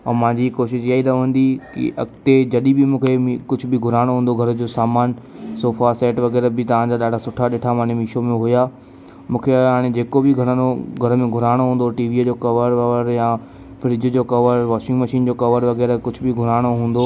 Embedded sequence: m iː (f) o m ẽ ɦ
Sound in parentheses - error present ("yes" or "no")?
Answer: yes